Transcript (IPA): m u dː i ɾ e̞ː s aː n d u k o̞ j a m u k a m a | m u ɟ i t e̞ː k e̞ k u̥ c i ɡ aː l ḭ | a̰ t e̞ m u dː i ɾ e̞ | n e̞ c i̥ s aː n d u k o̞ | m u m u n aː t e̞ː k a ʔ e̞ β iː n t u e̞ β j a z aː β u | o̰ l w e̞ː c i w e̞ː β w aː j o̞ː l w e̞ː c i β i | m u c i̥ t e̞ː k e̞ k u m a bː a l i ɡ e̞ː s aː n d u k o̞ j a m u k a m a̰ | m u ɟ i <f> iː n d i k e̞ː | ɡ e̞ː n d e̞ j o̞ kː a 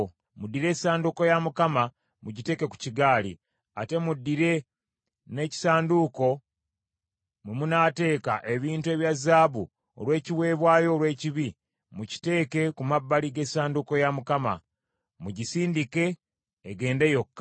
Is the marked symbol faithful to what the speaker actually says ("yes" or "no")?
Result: no